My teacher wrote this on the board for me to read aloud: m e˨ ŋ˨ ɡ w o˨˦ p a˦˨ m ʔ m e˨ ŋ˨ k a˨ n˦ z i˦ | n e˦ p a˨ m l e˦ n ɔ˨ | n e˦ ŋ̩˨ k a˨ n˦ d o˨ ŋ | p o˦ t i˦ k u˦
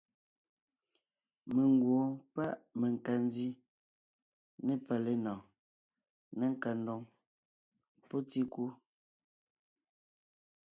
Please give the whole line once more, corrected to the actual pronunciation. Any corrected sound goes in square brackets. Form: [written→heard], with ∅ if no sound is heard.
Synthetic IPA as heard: m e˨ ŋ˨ ɡ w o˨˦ p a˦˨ [m→∅] ʔ m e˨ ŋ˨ k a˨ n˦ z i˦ | n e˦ p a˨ [m→∅] l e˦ n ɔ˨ | n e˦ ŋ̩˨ k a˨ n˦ d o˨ ŋ | p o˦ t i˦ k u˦